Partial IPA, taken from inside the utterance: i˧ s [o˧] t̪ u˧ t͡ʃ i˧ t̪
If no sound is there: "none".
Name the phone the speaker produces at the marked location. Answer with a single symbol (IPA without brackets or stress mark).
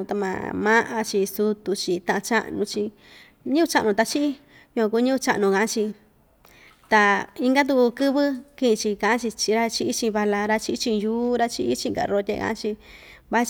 u˧